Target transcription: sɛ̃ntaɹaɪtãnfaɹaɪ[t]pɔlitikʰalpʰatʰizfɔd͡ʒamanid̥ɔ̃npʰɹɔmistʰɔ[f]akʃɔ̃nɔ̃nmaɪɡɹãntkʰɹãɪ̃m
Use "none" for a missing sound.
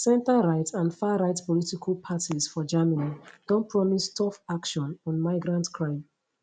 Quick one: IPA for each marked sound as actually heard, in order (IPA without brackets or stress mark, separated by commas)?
t, f